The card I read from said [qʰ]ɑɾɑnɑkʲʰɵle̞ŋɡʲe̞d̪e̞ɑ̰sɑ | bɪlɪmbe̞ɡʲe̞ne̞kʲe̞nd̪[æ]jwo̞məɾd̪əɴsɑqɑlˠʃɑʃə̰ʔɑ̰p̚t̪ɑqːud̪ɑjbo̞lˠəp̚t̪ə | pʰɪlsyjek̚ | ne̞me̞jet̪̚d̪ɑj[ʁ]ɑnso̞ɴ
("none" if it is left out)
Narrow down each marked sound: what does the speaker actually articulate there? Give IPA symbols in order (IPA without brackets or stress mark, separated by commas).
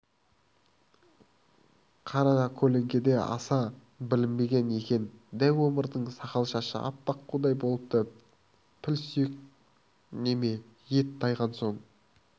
qʰ, æ, ʁ